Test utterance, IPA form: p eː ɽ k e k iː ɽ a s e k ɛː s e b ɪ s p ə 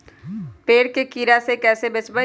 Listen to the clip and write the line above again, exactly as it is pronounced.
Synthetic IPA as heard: p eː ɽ k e k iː ɾ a s e k ɛː s e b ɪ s b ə